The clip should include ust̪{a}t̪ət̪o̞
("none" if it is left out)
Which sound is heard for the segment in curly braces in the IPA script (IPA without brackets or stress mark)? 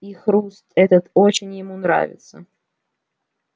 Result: ɛ